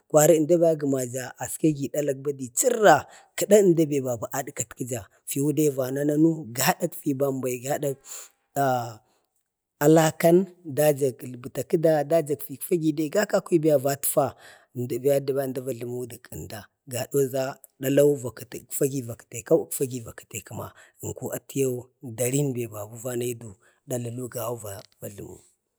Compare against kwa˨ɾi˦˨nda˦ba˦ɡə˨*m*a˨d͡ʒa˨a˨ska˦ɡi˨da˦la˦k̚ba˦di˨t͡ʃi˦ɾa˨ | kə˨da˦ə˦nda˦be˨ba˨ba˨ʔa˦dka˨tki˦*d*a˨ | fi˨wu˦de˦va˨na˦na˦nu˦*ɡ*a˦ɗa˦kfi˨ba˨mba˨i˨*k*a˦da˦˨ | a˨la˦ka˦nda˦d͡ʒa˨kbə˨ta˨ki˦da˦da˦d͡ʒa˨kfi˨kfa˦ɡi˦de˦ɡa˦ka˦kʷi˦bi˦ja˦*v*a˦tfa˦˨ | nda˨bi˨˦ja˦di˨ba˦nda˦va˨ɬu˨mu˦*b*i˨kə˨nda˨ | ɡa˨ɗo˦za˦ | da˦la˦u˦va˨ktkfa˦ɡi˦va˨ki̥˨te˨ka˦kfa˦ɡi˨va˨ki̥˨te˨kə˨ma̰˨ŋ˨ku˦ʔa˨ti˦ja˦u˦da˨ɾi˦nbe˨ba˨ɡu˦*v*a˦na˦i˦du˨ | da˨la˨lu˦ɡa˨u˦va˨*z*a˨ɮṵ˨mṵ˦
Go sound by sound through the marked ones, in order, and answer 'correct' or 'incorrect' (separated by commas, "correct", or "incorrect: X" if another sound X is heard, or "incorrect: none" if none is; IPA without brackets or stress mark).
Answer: correct, incorrect: d͡ʒ, correct, incorrect: ɡ, correct, incorrect: d, correct, incorrect: v